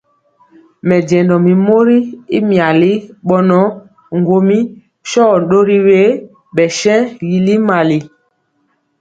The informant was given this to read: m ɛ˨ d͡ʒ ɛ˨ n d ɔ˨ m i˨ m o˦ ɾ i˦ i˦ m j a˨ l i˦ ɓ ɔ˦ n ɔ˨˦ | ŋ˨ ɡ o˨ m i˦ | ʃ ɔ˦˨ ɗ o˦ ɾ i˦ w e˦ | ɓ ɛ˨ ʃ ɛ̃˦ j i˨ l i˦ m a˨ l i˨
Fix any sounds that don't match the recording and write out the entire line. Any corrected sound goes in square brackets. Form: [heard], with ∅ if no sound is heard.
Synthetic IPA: m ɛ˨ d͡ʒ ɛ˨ n d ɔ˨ m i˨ m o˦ ɾ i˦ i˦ m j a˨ l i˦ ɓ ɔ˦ n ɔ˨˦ | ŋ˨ ɡ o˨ m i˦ | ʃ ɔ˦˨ ɗ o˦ ɾ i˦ w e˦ | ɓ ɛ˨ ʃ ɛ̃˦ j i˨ l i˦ m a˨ l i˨